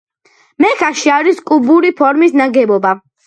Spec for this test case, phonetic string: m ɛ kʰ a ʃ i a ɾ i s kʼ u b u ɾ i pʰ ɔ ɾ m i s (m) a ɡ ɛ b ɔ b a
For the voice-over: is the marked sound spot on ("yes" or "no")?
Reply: no